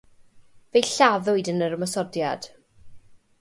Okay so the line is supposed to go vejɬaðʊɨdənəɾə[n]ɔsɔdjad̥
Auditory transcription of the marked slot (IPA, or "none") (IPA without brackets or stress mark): m